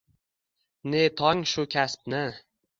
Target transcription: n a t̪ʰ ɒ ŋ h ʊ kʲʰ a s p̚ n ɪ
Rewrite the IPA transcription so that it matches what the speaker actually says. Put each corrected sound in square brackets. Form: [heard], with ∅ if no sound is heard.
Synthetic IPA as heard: n [e] t̪ʰ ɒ ŋ [ʃ] ʊ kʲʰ a s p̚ n ɪ